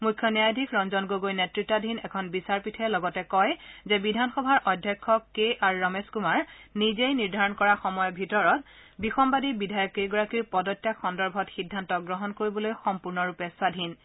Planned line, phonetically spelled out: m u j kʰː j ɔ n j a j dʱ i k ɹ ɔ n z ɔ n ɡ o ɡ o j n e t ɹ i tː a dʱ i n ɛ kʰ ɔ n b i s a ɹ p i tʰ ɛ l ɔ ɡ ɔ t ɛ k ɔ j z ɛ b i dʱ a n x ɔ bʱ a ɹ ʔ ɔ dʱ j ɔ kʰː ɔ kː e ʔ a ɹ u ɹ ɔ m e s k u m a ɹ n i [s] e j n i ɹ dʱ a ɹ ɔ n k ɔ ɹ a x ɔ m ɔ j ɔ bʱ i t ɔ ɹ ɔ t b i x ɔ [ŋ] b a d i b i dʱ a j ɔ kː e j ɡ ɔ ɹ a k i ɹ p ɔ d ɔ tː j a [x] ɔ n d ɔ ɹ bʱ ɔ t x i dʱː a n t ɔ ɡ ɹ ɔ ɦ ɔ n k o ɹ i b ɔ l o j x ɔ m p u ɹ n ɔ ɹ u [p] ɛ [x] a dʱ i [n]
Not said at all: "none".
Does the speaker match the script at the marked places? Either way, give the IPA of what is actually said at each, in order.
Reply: z, m, x, p, s, n

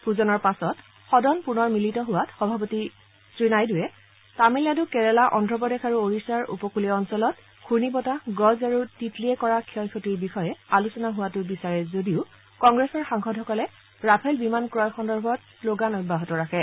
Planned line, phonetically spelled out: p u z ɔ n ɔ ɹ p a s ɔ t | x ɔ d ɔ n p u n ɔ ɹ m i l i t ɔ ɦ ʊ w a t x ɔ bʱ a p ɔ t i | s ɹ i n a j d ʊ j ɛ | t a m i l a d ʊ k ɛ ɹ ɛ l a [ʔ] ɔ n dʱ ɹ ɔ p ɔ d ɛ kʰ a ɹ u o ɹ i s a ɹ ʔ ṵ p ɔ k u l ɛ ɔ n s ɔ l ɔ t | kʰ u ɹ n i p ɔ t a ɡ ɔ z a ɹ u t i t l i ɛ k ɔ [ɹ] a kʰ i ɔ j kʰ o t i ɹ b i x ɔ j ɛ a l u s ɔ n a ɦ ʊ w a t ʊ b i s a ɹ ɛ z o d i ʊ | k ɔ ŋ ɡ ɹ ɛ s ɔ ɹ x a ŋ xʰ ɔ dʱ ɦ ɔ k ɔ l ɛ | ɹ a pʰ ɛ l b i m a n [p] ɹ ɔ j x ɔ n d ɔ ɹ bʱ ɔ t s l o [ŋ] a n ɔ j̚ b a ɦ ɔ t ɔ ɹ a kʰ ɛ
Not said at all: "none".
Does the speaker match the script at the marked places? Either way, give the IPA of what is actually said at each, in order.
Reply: ʔ, ɹ, k, ɡ

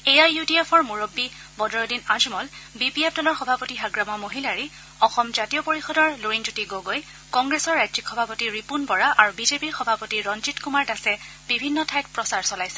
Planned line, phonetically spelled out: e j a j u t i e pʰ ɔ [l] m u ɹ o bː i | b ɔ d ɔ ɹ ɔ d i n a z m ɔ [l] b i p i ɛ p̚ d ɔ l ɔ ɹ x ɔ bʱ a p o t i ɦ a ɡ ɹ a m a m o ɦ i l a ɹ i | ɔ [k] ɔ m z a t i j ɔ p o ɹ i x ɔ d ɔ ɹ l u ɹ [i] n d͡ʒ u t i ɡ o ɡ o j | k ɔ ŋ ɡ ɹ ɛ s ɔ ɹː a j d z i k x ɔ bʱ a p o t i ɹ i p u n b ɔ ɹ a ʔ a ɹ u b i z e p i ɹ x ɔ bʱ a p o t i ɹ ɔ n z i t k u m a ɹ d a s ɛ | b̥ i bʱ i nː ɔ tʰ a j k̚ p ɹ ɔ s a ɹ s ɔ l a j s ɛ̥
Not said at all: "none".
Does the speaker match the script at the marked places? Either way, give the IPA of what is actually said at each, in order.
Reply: ɹ, l, x, i

